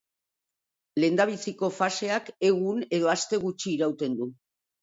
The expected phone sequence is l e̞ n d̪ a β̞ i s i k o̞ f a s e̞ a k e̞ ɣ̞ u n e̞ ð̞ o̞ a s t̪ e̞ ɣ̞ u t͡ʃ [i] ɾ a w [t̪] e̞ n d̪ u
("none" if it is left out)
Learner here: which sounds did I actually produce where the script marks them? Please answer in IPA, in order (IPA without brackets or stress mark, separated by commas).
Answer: iː, t̪